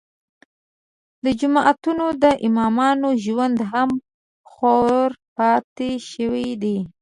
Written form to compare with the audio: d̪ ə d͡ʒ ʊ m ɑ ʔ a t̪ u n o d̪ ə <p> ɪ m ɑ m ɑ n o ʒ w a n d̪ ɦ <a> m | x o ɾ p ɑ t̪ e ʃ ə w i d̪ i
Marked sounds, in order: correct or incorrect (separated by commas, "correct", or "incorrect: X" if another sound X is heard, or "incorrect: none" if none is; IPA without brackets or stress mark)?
incorrect: ʔ, correct